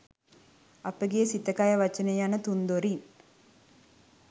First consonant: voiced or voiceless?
voiceless